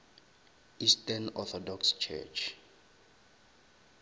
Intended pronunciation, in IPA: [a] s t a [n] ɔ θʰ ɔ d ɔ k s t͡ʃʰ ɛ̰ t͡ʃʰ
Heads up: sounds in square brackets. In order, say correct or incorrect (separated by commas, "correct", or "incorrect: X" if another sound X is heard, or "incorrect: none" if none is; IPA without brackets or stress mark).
incorrect: i, correct